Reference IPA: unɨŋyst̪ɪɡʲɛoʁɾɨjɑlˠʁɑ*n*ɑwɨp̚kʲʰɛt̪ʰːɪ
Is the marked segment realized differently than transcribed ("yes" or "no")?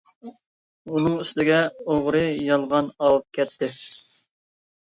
no